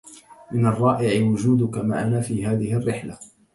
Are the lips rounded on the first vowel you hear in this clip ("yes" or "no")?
no